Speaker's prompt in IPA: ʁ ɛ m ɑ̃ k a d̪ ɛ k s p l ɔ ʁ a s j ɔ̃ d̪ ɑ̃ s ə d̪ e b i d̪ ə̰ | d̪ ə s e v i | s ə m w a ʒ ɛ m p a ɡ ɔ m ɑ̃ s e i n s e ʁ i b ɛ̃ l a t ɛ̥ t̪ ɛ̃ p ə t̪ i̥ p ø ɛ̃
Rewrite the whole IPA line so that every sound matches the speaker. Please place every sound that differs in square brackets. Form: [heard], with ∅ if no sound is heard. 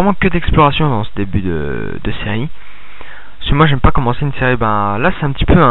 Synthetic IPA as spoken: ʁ ɛ m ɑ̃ k [ə] d̪ ɛ k s p l ɔ ʁ a s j ɔ̃ d̪ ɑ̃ s ə d̪ e b [y] d̪ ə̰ | d̪ ə s e [ʁ] i | s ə m w a ʒ ɛ m p a [k] ɔ m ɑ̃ s e [y] n s e ʁ i b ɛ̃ l a [s] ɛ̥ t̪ ɛ̃ p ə t̪ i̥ p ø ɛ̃